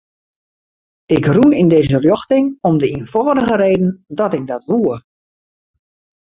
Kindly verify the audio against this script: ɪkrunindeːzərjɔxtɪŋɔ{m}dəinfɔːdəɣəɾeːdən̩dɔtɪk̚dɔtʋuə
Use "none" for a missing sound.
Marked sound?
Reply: m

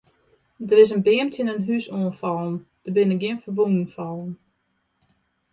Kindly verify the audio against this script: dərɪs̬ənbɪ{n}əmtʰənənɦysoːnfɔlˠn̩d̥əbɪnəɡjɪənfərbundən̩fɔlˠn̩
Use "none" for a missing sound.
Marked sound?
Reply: none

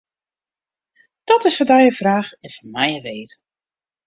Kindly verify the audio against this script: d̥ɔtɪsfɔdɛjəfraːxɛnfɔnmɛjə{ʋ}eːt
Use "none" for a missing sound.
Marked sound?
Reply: ʋ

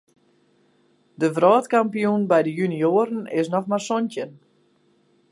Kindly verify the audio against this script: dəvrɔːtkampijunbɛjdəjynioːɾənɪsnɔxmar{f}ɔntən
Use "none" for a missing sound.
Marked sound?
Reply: s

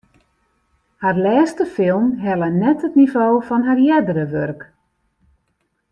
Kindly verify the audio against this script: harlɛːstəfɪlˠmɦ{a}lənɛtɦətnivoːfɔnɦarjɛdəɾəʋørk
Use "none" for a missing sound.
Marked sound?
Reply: ɛ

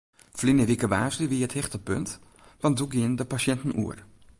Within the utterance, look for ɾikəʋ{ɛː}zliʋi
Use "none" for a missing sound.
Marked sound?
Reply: aː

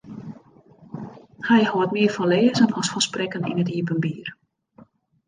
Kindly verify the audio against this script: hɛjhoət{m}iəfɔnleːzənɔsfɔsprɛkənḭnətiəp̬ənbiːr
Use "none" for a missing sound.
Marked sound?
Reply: m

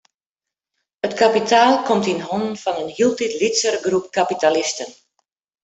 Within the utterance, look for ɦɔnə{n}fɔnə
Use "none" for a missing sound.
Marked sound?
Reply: n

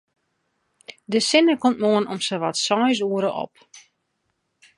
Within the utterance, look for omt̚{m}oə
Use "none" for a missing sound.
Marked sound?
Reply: m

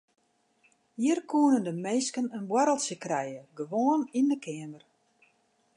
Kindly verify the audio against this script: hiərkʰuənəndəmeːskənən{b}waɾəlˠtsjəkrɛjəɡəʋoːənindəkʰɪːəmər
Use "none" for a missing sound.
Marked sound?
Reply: b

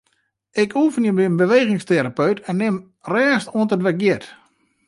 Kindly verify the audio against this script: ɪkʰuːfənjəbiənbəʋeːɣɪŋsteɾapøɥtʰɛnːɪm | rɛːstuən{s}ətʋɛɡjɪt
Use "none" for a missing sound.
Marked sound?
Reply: t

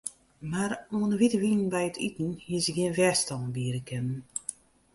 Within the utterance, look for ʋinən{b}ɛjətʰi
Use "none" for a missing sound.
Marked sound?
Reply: b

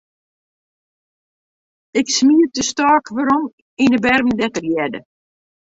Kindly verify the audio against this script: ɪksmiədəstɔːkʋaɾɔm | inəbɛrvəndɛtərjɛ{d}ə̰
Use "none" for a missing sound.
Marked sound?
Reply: d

